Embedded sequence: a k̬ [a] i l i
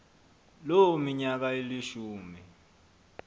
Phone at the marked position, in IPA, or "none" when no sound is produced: a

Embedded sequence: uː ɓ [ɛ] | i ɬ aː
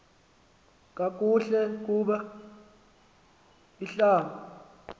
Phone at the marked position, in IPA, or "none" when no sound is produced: a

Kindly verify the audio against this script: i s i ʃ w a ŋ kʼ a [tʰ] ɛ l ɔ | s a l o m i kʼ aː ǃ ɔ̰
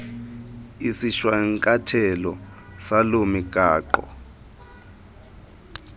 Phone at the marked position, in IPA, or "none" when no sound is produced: tʰ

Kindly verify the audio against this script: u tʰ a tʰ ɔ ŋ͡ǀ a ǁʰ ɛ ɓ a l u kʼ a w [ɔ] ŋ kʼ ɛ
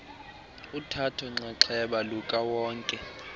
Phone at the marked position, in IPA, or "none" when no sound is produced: ɔː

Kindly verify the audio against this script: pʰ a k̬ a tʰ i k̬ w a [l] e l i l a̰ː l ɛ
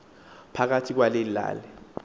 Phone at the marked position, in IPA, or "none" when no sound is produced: l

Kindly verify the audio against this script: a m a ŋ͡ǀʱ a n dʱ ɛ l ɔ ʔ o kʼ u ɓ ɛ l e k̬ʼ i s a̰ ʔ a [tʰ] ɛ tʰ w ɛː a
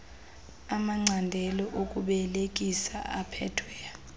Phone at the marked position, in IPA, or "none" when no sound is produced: pʰ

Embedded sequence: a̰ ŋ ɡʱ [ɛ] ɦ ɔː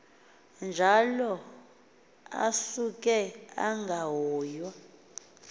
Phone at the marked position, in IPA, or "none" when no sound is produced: a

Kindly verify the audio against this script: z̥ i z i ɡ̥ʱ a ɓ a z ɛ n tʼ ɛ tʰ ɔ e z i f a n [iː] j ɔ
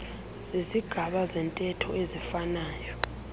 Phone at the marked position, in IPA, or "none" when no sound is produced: aː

